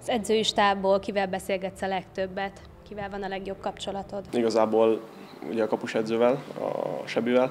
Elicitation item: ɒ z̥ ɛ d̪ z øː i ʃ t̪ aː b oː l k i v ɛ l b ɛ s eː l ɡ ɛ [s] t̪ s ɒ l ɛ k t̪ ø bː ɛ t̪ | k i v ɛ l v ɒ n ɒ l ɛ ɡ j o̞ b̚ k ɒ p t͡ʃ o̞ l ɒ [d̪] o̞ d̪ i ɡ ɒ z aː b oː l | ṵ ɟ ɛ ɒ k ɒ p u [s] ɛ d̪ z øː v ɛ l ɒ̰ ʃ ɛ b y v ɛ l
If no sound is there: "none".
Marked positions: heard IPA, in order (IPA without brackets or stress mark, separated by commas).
none, t̪, ʃ